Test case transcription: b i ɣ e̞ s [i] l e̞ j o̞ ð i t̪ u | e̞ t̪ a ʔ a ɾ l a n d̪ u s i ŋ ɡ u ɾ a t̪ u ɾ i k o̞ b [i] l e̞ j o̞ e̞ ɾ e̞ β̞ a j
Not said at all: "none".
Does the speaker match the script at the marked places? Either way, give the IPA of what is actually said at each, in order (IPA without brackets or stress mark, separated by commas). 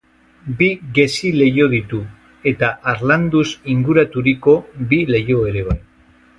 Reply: i, i